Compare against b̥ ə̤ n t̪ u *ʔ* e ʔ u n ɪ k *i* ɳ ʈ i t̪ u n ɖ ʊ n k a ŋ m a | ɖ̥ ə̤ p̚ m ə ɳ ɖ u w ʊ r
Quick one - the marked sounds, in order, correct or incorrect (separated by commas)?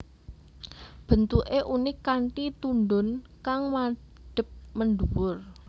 correct, incorrect